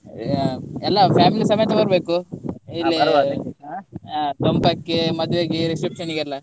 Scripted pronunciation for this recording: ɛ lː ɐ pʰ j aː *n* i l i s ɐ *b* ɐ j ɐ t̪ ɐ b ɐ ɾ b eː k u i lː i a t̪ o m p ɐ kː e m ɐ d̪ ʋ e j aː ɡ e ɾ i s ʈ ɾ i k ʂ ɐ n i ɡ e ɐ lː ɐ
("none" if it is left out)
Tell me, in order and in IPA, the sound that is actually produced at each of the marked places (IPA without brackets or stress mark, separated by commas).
m, m